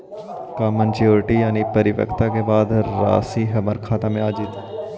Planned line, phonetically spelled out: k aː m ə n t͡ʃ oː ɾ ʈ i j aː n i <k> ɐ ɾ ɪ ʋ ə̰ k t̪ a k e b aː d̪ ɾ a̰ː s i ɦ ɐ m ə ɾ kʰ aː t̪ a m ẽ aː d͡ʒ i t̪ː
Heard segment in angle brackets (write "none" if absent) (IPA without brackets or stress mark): p